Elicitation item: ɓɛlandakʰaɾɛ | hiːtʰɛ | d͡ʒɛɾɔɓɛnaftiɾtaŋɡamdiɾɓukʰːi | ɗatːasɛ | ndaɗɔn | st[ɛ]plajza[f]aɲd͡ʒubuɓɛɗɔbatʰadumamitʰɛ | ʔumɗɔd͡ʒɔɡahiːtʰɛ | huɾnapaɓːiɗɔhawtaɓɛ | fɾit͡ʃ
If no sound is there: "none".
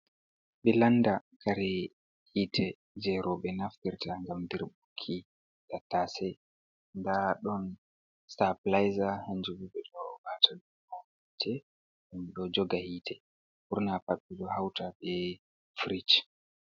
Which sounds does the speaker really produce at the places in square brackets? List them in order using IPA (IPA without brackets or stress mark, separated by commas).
a, h